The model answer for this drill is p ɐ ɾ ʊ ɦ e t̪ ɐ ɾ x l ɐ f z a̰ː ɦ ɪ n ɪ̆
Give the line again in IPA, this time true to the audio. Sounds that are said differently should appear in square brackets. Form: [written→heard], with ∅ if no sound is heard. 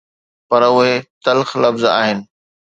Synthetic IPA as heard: p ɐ ɾ ʊ ɦ e t̪ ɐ [ɾ→l] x l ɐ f z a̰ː ɦ ɪ n ɪ̆